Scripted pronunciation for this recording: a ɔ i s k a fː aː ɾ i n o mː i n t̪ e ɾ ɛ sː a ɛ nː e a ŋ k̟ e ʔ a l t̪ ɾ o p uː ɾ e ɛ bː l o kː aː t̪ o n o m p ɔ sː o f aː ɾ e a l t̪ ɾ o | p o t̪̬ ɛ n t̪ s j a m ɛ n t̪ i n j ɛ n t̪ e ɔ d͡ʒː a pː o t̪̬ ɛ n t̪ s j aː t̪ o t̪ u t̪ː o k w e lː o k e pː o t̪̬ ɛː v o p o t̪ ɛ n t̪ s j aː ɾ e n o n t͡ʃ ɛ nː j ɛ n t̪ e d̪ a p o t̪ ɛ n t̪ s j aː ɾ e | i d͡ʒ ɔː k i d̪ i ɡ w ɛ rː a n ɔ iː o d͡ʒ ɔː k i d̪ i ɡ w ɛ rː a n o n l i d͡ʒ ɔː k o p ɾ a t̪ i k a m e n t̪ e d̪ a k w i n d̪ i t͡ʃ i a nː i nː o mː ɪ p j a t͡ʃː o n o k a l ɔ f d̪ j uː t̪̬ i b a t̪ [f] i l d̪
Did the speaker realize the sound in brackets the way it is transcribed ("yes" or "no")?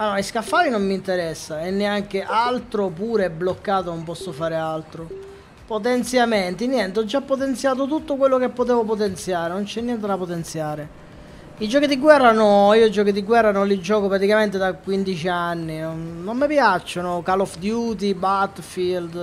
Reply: yes